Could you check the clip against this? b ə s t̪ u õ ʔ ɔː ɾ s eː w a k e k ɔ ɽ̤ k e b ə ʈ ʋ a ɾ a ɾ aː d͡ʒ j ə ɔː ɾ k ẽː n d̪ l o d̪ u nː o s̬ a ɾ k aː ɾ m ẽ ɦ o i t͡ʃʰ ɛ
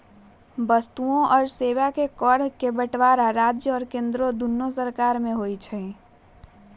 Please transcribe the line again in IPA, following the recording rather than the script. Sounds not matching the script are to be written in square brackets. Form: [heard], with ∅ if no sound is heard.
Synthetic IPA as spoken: b ə s t̪ u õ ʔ ɔː ɾ s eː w a k e k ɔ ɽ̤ k e b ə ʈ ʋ a ɾ a ɾ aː d͡ʒ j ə ɔː ɾ k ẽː n d̪ [ɾ] o d̪ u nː o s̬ [ə] ɾ k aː ɾ m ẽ ɦ o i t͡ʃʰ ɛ